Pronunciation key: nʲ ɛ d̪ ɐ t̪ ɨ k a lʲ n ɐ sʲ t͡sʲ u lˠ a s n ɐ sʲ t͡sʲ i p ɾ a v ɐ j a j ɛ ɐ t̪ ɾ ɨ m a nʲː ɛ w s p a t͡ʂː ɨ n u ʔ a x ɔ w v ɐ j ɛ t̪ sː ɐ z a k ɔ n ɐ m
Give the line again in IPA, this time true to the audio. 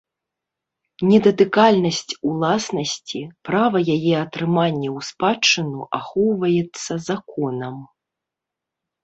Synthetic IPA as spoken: nʲ ɛ d̪ ɐ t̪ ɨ k a lʲ n ɐ sʲ t͡sʲ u lˠ a s n ɐ sʲ t͡sʲ i p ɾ a v ɐ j a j ɛ ɐ t̪ ɾ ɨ m a nʲː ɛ w s p a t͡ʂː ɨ n u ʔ a x ɔ w v ɐ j ɛ t̪ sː ɐ z a k ɔ n ɐ m

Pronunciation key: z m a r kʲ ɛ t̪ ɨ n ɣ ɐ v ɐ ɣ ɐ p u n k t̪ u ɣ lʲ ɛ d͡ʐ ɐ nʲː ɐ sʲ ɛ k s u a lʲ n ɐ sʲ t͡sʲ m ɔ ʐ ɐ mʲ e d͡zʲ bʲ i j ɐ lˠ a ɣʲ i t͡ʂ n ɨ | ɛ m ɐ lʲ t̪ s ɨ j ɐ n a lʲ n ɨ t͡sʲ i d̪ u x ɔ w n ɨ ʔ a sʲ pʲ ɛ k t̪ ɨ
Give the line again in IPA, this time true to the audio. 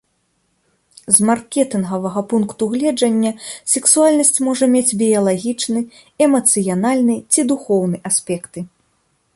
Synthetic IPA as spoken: z m a r kʲ ɛ t̪ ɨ n ɣ ɐ v ɐ ɣ ɐ p u n k t̪ u ɣ lʲ ɛ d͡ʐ ɐ nʲː ɐ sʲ ɛ k s u a lʲ n ɐ sʲ t͡sʲ m ɔ ʐ ɐ mʲ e d͡zʲ bʲ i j ɐ lˠ a ɣʲ i t͡ʂ n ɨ | ɛ m ɐ t̪ s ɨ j a n a lʲ n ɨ t͡sʲ i d̪ u x ɔ w n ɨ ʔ a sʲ pʲ ɛ k t̪ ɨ

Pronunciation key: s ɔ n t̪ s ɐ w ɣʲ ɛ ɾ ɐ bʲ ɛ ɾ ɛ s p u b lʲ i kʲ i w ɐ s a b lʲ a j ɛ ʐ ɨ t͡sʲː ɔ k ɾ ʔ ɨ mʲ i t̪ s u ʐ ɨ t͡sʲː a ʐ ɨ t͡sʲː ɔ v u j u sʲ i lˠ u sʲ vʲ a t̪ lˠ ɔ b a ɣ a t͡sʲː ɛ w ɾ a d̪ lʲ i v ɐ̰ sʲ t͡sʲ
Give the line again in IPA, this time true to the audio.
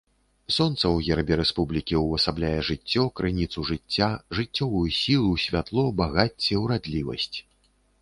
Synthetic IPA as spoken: s ɔ n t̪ s ɐ w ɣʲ ɛ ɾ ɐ bʲ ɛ ɾ ɛ s p u b lʲ i kʲ i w ɐ s a b lʲ a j ɛ ʐ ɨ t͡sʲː ɔ k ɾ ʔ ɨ nʲ i t̪ s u ʐ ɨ t͡sʲː a ʐ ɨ t͡sʲː ɔ v u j u sʲ i lˠ u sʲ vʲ a t̪ lˠ ɔ b a ɣ a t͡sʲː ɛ w ɾ a d̪ lʲ i v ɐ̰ sʲ t͡sʲ

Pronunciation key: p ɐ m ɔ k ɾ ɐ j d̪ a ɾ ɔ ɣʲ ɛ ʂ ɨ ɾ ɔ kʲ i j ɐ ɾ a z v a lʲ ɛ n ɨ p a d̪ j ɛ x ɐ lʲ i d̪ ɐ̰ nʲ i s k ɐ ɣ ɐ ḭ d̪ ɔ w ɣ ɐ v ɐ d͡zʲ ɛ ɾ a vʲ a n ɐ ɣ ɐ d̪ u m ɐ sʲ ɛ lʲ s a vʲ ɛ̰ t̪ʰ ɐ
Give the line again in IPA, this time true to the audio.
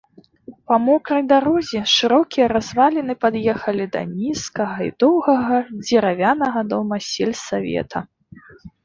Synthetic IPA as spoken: p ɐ m ɔ k ɾ ɐ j d̪ a ɾ ɔ zʲ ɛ ʂ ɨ ɾ ɔ kʲ i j ɐ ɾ a z v a lʲ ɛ n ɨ p a d̪ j ɛ x ɐ lʲ i d̪ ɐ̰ nʲ i s k ɐ ɣ ɐ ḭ d̪ ɔ w ɣ ɐ ɣ ɐ d͡zʲ ɛ ɾ a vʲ a n ɐ ɣ ɐ d̪ ɔ m ɐ sʲ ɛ lʲ s a vʲ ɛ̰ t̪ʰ ɐ

